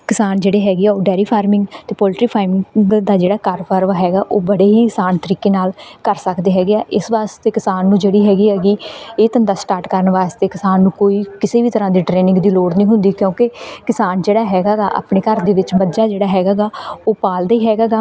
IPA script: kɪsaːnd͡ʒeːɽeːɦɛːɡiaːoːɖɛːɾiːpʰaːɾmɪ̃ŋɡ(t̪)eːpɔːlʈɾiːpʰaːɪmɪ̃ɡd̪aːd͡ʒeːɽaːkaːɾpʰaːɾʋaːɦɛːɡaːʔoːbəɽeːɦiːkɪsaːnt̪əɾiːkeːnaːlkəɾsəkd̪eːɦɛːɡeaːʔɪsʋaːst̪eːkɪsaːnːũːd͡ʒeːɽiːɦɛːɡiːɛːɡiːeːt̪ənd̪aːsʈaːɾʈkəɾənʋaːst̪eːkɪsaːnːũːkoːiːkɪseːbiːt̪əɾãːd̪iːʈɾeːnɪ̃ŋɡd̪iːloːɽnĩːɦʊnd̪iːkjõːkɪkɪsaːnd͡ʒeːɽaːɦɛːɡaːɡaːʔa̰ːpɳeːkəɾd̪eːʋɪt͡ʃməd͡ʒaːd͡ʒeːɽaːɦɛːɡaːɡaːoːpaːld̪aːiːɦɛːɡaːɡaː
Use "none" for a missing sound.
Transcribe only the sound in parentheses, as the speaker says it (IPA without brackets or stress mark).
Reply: t̪